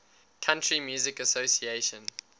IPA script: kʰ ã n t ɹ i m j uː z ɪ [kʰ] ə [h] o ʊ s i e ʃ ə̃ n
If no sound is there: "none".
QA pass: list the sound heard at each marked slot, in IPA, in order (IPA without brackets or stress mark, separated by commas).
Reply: k, s